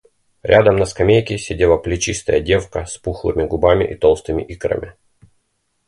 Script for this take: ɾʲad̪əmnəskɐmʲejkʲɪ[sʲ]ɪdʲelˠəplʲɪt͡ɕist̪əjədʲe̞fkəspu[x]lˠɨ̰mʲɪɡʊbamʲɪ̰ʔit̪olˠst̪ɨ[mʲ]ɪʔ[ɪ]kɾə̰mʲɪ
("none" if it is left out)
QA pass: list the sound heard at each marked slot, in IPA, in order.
sʲ, x, mʲ, i

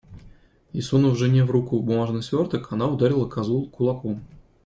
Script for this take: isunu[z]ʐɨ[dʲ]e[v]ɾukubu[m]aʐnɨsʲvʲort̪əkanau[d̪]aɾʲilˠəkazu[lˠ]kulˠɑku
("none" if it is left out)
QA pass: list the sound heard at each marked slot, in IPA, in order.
v, nʲ, v, m, d̪, lˠ

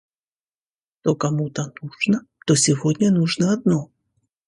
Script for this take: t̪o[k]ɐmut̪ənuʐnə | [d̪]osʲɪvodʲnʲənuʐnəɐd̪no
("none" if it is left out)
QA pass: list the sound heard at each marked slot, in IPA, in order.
k, t̪

